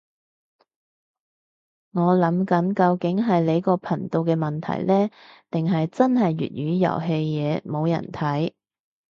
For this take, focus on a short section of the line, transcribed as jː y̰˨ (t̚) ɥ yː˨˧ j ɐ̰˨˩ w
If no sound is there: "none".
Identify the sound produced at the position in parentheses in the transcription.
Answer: t̚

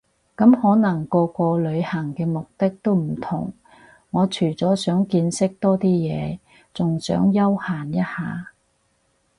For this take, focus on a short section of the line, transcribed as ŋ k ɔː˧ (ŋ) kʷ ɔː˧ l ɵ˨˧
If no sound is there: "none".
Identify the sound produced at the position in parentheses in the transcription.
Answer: none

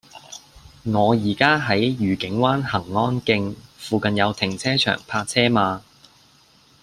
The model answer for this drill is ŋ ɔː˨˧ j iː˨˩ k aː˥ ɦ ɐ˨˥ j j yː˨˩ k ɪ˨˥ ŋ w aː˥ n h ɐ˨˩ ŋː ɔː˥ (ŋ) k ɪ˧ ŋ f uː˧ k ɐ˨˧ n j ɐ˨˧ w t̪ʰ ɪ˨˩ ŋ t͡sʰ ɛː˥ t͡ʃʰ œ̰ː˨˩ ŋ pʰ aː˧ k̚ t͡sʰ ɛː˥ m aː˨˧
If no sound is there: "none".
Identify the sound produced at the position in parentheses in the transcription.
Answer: n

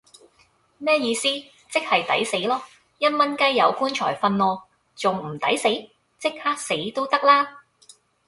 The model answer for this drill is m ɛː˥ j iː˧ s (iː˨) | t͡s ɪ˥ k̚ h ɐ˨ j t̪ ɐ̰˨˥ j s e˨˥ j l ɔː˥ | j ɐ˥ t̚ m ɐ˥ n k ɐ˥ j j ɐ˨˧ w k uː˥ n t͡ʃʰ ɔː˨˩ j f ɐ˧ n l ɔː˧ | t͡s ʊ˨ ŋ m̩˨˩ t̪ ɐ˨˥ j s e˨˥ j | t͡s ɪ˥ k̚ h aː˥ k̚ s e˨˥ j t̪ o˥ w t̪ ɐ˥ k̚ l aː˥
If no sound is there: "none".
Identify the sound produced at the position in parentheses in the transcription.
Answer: iː˥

